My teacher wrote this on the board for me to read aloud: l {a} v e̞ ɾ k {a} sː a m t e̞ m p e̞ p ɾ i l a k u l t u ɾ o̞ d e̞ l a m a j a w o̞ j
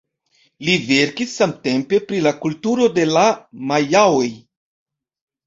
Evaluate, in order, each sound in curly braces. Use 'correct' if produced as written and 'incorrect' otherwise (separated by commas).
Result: incorrect, incorrect